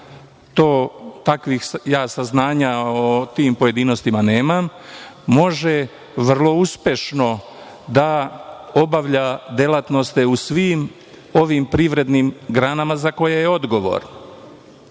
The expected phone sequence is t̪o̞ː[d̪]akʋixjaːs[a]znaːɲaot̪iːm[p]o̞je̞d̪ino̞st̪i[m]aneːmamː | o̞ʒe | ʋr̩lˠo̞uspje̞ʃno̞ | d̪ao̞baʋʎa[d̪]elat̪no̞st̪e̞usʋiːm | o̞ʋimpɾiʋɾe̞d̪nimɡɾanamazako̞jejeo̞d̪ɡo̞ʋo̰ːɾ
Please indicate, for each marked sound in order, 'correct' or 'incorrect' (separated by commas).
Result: incorrect, correct, correct, correct, correct